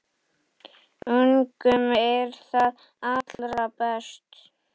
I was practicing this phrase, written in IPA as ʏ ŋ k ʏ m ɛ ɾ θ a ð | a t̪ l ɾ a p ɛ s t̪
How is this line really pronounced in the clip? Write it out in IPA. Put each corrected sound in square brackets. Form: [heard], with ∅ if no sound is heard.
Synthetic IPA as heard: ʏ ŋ k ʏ m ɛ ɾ θ a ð | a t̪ l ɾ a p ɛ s t̪